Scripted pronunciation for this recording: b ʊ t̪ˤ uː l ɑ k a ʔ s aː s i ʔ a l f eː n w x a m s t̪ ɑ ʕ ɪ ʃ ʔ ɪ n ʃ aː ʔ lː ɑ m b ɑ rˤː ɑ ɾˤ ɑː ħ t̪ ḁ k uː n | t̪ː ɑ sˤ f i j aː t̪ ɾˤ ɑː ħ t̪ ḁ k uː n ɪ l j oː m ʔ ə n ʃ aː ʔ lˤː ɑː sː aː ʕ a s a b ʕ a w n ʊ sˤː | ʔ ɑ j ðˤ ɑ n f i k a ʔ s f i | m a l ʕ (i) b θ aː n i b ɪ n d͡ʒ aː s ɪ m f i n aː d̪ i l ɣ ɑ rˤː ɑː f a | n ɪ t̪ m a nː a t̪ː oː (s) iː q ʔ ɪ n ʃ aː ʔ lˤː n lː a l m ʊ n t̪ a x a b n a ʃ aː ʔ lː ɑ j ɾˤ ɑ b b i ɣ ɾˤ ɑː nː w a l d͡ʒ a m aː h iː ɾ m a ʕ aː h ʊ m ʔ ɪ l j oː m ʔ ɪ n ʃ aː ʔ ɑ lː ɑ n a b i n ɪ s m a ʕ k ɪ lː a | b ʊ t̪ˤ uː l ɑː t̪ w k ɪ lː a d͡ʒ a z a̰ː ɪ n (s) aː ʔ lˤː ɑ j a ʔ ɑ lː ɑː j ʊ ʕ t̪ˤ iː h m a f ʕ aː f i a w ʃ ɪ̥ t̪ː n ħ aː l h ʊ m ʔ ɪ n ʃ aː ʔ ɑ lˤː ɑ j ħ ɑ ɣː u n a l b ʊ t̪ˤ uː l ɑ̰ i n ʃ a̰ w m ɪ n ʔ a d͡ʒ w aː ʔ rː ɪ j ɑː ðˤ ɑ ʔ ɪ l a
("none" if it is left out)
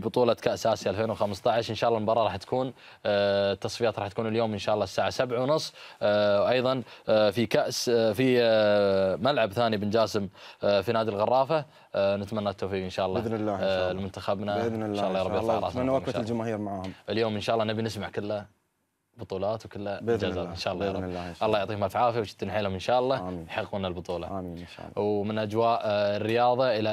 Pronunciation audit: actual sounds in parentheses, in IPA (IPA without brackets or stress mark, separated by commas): a, f, ʃ